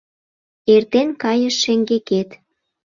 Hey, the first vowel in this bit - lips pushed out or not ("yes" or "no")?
no